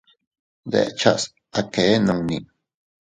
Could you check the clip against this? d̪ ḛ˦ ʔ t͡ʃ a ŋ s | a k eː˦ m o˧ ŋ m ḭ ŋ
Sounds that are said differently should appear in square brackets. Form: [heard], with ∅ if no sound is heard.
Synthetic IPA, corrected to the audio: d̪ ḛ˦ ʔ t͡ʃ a [∅] s | a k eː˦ [n] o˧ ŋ [n] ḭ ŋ